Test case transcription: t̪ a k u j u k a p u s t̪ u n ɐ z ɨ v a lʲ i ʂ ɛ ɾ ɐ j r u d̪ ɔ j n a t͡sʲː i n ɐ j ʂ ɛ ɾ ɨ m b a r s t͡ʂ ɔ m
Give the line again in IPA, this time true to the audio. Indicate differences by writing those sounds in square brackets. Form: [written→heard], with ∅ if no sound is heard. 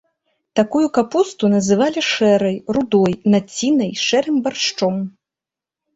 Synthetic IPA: t̪ a k u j u k a p u s t̪ u n ɐ z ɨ v a lʲ i ʂ ɛ ɾ ɐ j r u d̪ ɔ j n a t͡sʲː i n ɐ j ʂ ɛ ɾ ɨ m b a r [s→ʂ] t͡ʂ ɔ m